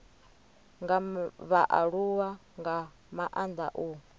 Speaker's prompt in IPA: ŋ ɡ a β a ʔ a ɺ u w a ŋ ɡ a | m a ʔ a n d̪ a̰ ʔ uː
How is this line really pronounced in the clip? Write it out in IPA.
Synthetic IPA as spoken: ŋ ɡ a β a ʔ a ɺ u w a ŋ ɡ a | m a ʔ a n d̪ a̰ ʔ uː